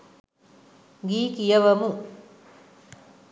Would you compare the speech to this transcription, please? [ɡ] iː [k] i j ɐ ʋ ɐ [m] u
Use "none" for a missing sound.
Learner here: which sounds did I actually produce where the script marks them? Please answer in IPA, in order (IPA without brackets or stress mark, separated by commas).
ɡ, k, m